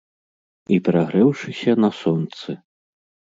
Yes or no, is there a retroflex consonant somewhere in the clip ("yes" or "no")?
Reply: yes